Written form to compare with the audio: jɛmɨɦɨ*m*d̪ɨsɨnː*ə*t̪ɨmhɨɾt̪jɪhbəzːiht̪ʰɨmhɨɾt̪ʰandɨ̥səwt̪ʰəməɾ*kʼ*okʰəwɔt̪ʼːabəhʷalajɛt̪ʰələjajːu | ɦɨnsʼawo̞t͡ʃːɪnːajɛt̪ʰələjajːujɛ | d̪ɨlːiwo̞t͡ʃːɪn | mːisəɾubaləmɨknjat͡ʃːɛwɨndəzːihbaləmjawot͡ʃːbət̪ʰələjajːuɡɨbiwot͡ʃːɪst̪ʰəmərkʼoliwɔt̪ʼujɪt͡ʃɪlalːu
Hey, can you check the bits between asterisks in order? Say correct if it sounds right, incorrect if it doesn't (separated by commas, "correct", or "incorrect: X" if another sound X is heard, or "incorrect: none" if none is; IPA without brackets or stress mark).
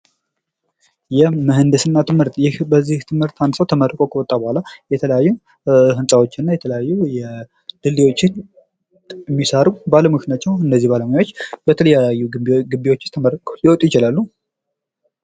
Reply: incorrect: n, incorrect: a, correct